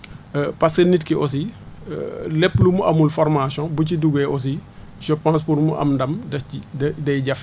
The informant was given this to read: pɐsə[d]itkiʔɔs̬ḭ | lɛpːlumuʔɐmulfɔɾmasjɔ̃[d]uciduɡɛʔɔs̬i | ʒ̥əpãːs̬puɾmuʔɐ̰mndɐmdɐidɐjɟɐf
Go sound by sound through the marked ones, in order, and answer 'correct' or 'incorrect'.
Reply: incorrect: n, incorrect: b

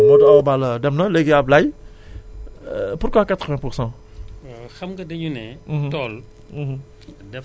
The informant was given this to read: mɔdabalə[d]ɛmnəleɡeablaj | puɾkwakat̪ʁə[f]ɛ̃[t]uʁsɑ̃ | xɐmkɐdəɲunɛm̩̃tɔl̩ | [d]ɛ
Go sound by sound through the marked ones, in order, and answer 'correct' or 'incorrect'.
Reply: correct, incorrect: v, incorrect: p, correct

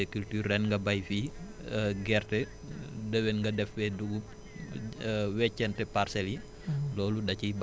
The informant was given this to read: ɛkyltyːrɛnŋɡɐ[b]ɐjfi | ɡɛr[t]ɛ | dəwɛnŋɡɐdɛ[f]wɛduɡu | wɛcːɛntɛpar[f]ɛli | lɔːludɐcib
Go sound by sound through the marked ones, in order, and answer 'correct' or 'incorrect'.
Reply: correct, correct, correct, incorrect: s

